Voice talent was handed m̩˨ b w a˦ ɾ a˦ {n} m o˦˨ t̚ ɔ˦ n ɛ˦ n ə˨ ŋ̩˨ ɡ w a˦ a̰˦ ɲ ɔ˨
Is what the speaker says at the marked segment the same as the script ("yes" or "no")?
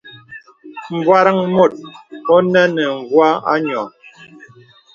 no